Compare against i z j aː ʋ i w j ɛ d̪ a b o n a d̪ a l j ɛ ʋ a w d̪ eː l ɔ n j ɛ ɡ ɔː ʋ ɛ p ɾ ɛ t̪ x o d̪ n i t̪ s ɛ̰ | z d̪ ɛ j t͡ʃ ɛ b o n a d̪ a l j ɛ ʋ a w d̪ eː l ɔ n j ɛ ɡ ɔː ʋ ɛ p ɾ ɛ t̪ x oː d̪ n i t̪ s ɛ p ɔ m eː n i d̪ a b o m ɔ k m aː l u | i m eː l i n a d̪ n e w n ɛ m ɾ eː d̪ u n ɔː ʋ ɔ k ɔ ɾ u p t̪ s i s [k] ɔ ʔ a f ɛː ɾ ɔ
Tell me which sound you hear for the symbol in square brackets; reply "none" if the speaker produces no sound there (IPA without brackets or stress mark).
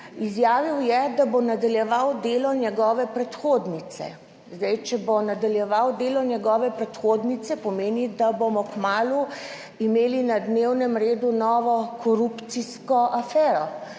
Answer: k